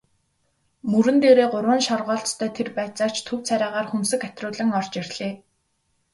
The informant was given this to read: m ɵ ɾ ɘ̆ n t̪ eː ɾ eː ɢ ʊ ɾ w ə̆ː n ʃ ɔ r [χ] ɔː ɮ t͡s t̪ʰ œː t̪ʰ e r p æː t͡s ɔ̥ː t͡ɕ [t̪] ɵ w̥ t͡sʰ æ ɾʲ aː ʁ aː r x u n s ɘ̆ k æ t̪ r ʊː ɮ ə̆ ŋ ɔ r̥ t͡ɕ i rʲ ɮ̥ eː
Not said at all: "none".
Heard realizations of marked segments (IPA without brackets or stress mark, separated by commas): ʁ, t̪ʰ